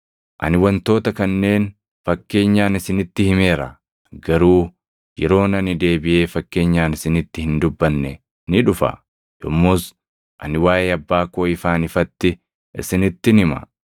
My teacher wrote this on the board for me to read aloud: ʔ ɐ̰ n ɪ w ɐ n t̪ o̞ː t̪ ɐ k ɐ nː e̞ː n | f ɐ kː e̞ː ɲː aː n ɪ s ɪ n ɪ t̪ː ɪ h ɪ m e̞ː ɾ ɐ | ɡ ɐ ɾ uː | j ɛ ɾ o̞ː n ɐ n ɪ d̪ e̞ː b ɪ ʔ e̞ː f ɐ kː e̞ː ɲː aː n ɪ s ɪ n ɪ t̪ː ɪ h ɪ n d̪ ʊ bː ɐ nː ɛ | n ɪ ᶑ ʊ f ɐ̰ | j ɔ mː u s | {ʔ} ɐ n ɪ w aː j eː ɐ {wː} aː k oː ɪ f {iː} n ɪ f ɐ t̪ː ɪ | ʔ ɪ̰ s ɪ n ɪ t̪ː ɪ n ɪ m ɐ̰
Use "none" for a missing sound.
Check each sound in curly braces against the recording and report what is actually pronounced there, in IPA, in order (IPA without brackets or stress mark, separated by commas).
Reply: ʔ, bː, aː